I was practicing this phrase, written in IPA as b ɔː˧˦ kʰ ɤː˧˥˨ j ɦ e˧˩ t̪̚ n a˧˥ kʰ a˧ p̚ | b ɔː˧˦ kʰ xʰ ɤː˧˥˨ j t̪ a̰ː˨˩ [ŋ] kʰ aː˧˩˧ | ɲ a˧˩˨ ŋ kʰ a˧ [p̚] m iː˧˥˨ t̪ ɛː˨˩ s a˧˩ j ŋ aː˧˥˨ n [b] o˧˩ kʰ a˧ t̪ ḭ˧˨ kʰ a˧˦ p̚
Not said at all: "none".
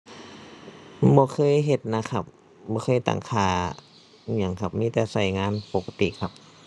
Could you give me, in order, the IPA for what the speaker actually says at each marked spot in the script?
ŋ, p̚, p

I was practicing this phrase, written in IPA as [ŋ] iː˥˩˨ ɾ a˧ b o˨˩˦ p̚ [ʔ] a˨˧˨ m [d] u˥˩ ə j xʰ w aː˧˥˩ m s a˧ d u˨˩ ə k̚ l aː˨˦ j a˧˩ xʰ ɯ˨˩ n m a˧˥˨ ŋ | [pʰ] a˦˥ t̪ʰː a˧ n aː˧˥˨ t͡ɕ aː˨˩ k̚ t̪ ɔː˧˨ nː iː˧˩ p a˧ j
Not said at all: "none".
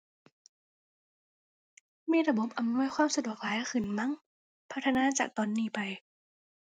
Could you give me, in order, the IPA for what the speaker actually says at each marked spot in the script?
m, ʔ, n, pʰ

